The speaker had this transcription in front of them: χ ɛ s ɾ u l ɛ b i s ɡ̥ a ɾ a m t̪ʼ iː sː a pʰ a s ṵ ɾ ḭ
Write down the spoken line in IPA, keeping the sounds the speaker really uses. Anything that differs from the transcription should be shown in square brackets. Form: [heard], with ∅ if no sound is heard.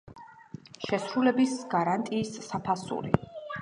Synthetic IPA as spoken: [ʃ] ɛ s ɾ u l ɛ b i s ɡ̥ a ɾ a [n] t̪ʼ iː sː a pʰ a s ṵ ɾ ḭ